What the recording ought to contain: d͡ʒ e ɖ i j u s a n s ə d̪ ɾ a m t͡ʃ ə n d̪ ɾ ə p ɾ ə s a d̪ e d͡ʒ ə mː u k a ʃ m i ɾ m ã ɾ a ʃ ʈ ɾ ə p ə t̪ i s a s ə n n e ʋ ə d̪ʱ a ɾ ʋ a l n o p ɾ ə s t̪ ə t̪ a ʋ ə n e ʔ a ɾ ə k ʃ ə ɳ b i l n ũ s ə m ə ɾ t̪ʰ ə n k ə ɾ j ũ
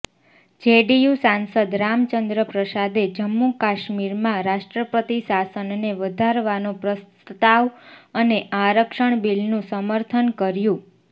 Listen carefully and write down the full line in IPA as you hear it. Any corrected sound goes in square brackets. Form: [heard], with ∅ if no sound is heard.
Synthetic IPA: d͡ʒ e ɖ i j u s a n s ə d̪ ɾ a m t͡ʃ ə n d̪ ɾ ə p ɾ ə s a d̪ e d͡ʒ ə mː u k a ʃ m i ɾ m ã ɾ a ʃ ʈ ɾ ə p ə t̪ i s a s ə n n e ʋ ə d̪ʱ a ɾ ʋ a [∅] n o p ɾ ə s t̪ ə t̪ a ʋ ə n e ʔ a ɾ ə k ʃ ə ɳ b i l n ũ s ə m ə ɾ t̪ʰ ə n k ə ɾ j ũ

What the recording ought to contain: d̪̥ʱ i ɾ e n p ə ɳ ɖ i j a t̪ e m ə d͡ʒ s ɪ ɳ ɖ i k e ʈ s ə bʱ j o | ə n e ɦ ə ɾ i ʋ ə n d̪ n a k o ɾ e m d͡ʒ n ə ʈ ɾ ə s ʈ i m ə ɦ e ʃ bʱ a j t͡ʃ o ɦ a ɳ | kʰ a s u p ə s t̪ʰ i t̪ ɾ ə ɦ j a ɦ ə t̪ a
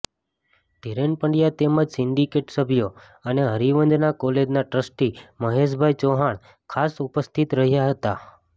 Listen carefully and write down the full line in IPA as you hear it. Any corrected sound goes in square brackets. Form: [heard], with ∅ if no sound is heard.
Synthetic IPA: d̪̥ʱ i ɾ e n p ə ɳ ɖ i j a t̪ e m ə d͡ʒ s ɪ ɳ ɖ i k e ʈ s ə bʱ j o | ə n e ɦ ə ɾ i ʋ ə n d̪ n a k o [l] e [∅] d͡ʒ n [a] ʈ ɾ ə s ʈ i m ə ɦ e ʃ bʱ a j t͡ʃ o ɦ a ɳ | kʰ a s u p ə s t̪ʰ i t̪ ɾ ə ɦ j a ɦ ə t̪ a

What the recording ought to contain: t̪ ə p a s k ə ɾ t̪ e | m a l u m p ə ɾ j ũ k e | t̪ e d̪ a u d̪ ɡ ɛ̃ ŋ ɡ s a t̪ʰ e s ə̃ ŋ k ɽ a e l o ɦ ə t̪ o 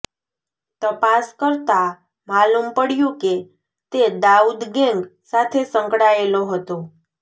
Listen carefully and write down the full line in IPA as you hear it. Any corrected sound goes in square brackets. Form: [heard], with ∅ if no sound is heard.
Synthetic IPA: t̪ ə p a s k ə ɾ t̪ [a] | m a l u m p ə [ɽ] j ũ k e | t̪ e d̪ a u d̪ ɡ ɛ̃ ŋ ɡ s a t̪ʰ e s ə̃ ŋ k ɽ a e l o ɦ ə t̪ o

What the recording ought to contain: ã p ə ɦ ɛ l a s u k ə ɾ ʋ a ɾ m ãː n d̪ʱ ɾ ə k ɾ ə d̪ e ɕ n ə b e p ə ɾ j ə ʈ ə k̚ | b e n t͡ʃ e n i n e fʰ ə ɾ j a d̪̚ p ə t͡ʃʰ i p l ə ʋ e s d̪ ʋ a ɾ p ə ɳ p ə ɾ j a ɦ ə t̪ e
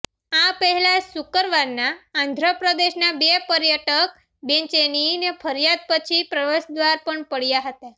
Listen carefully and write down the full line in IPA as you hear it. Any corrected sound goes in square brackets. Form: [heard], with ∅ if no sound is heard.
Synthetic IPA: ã p ə ɦ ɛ l a s u k ə ɾ ʋ a ɾ [n] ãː n d̪ʱ ɾ ə [p] ɾ ə d̪ e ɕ n [a] b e p ə ɾ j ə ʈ ə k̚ | b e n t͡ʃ e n i n e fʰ ə ɾ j a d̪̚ p ə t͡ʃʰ i p [ɾ] ə ʋ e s d̪ ʋ a ɾ p ə ɳ p ə [ɽ] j a ɦ ə t̪ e

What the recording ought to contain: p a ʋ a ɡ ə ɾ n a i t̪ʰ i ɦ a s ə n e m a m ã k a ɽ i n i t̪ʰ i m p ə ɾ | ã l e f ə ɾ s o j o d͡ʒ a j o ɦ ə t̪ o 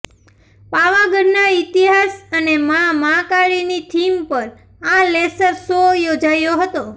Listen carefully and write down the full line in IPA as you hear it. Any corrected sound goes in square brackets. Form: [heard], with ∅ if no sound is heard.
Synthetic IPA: p a ʋ a ɡ ə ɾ n a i [t̪] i ɦ a s ə n e m a m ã k a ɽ i n i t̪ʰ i m p ə ɾ | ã l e [s] ə ɾ s o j o d͡ʒ a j o ɦ ə t̪ o

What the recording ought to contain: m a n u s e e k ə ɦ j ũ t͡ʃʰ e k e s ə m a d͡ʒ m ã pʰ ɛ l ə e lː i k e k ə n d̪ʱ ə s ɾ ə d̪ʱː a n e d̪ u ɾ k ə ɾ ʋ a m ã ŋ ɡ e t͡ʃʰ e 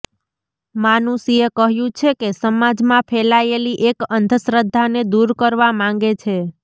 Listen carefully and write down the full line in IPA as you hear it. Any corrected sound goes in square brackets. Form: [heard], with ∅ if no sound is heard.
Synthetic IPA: m a n u s [i] e k ə ɦ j ũ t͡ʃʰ e k e s ə m a d͡ʒ m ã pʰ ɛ l [a] e [l] i [ʔ] e k ə n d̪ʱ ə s ɾ ə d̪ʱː a n e d̪ u ɾ k ə ɾ ʋ a m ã ŋ ɡ e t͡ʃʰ e

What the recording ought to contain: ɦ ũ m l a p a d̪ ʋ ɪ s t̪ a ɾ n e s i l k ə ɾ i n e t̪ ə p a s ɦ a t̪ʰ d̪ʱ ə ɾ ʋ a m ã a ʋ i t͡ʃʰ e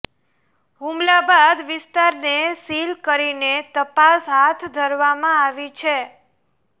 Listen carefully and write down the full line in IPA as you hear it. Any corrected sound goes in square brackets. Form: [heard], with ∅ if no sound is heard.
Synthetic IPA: ɦ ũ m l a [b] a d̪ ʋ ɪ s t̪ a ɾ n e s i l k ə ɾ i n e t̪ ə p a s ɦ a t̪ʰ d̪ʱ ə ɾ ʋ a m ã a ʋ i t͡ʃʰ e

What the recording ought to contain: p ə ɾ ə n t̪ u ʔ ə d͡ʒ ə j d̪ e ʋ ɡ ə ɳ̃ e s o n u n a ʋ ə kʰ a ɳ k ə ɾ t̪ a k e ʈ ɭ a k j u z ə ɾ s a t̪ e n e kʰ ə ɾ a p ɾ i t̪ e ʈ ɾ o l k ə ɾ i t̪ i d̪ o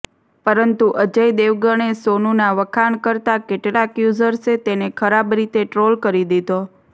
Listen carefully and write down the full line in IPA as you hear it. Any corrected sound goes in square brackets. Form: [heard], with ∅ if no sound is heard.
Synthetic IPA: p ə ɾ ə n t̪ u ʔ ə d͡ʒ ə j d̪ e ʋ ɡ ə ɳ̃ e s o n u n a ʋ ə kʰ a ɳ k ə ɾ t̪ a k e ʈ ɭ a k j u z ə ɾ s [e] t̪ e n e kʰ ə ɾ a [b] ɾ i t̪ e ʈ ɾ o l k ə ɾ i [d̪] i d̪ o

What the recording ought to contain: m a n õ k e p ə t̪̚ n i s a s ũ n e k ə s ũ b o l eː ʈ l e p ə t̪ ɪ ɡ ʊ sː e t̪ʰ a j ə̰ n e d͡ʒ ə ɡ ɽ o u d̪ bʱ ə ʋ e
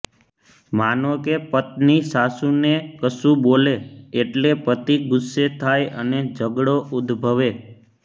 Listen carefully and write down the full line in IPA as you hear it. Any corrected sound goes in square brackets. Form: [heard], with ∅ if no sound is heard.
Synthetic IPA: m a n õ k e p ə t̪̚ n i s a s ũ n e k ə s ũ b o l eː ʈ l e p ə t̪ [i] ɡ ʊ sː e t̪ʰ a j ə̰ n e d͡ʒ ə ɡ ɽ o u d̪ bʱ ə ʋ e

